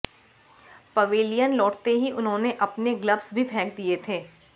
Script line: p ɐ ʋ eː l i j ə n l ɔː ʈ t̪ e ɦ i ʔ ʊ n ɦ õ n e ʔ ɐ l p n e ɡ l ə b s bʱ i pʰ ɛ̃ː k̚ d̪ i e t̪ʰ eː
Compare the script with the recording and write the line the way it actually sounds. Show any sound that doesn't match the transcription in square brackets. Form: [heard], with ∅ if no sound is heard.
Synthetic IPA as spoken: p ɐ ʋ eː l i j ə n l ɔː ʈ t̪ e ɦ i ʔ ʊ n ɦ õ n e ʔ ɐ [∅] p n e ɡ l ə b s bʱ i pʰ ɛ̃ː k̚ d̪ i e t̪ʰ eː